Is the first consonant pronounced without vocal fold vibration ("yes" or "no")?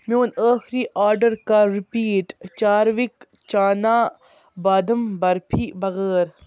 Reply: no